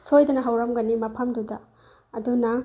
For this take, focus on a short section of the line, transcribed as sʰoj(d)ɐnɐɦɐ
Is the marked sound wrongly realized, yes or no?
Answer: no